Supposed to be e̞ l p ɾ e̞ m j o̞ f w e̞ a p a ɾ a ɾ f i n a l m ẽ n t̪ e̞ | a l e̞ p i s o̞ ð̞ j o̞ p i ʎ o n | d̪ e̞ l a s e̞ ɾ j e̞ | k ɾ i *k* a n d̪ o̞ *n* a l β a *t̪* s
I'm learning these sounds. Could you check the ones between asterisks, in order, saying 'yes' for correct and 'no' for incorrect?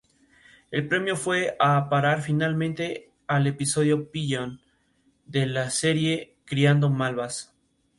no, no, no

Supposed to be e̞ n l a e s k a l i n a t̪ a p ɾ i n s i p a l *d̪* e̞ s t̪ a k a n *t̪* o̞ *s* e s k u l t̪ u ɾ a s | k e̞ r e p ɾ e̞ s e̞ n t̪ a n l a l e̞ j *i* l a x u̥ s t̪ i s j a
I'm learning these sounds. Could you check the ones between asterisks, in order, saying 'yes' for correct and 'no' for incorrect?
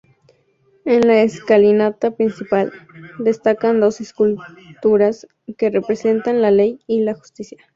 yes, no, yes, yes

